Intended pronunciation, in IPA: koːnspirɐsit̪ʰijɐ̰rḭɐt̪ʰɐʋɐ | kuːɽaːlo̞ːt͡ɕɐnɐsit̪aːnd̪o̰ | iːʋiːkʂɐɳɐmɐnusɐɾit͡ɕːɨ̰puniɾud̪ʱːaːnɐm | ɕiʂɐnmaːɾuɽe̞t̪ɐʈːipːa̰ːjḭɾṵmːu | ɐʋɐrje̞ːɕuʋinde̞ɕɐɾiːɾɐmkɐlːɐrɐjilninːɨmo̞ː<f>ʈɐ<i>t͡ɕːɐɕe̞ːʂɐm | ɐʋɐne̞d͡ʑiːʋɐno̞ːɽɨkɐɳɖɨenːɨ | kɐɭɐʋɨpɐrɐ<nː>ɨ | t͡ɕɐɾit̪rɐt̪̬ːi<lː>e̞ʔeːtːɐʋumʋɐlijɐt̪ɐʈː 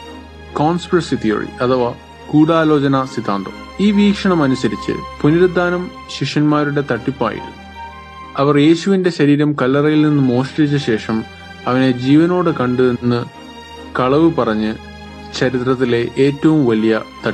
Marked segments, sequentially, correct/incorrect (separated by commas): incorrect, correct, incorrect, incorrect